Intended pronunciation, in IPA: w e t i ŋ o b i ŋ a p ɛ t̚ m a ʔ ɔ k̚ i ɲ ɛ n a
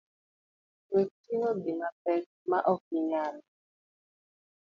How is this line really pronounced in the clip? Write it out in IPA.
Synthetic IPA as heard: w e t i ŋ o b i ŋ a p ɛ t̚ m a ʔ ɔ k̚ i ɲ a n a